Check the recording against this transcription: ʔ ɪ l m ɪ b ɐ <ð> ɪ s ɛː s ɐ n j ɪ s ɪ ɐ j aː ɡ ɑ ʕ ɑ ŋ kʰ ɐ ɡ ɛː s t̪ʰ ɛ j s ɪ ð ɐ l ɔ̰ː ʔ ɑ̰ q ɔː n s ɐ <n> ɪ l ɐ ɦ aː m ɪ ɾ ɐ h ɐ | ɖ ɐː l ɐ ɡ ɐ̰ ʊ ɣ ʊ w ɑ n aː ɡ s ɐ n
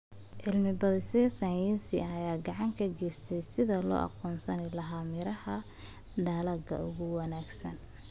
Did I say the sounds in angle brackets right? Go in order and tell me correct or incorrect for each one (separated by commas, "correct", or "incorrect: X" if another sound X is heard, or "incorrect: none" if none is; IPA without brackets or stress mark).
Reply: correct, correct